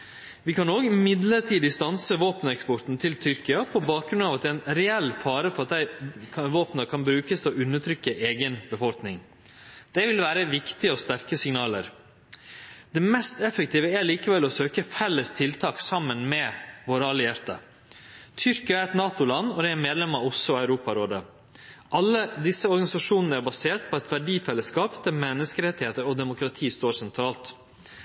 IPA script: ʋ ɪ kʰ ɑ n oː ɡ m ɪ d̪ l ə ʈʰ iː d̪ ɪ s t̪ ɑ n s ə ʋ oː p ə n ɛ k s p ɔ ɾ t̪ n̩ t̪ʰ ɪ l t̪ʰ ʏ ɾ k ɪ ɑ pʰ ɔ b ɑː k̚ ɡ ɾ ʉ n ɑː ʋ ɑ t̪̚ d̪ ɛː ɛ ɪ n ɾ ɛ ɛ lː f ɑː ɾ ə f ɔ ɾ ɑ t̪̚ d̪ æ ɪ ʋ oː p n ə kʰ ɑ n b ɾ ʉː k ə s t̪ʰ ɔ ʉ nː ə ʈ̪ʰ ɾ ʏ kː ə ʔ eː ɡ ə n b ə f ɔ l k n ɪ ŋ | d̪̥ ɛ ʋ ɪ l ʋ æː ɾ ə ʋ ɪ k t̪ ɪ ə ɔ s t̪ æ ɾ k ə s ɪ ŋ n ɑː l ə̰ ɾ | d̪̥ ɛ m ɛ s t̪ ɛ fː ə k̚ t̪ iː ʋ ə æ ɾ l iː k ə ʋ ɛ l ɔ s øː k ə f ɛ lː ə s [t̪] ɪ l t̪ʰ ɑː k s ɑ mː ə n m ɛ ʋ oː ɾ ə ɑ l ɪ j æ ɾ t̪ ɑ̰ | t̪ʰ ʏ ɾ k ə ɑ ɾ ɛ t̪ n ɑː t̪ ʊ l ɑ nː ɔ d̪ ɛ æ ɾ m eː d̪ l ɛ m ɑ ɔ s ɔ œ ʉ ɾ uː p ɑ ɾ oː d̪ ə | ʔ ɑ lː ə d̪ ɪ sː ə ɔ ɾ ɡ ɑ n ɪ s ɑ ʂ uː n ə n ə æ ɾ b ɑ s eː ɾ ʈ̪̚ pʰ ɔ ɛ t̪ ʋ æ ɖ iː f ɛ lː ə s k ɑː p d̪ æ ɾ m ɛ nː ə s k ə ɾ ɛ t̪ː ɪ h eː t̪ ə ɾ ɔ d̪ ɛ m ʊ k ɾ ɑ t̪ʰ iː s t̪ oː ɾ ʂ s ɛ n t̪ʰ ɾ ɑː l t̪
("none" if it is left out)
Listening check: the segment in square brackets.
t̪ʰ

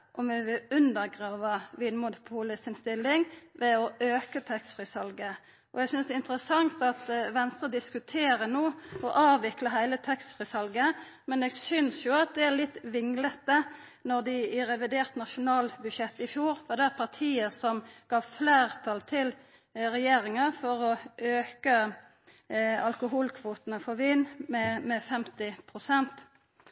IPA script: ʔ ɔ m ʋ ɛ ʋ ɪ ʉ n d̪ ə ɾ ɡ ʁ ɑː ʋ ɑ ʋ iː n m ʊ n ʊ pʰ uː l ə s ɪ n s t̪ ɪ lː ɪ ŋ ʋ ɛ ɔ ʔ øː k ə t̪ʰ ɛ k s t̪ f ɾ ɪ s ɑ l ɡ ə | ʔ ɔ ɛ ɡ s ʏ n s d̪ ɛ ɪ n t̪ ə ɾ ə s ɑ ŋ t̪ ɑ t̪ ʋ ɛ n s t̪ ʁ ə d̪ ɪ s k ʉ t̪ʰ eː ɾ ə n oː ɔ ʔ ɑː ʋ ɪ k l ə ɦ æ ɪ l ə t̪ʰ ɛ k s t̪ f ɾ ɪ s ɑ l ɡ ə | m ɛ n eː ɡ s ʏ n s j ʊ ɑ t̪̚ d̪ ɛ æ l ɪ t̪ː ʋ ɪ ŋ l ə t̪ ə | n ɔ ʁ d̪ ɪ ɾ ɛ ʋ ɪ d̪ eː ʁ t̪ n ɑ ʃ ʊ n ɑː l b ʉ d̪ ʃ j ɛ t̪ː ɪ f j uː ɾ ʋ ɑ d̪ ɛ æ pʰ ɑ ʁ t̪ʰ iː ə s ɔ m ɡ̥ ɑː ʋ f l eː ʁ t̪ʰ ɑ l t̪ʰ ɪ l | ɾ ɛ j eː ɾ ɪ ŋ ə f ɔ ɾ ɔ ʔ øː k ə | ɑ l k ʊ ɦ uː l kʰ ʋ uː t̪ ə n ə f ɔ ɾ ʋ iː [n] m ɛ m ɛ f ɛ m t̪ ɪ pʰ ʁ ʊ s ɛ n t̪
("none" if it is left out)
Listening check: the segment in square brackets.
n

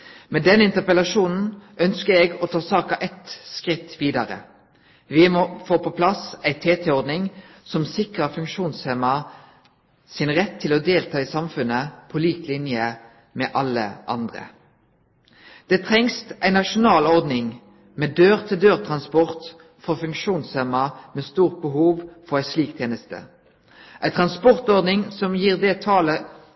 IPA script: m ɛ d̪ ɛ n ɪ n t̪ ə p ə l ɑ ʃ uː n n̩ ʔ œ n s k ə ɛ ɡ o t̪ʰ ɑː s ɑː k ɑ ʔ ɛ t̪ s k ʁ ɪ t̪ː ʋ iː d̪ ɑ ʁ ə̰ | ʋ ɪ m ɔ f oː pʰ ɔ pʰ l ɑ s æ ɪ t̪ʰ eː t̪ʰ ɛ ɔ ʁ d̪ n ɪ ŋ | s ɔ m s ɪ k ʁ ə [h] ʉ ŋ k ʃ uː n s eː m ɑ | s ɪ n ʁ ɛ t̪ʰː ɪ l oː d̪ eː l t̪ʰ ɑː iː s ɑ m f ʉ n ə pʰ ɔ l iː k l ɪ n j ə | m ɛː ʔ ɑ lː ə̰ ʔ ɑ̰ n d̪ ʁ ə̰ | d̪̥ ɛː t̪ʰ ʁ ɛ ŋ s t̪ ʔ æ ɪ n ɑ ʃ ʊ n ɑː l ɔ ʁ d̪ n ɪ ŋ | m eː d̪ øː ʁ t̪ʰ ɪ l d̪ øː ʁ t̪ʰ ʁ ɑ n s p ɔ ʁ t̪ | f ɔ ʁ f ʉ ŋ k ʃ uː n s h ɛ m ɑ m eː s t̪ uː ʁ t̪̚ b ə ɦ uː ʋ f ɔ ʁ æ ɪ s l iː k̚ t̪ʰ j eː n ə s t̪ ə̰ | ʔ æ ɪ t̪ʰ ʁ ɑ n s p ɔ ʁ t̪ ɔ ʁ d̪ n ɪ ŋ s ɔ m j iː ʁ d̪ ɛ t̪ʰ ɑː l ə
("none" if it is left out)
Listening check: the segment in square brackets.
f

